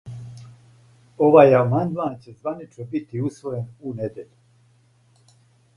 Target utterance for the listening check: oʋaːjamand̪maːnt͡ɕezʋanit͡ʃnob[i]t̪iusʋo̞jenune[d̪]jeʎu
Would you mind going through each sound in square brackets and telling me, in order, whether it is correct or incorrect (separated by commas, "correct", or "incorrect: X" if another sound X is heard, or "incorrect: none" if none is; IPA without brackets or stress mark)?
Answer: correct, correct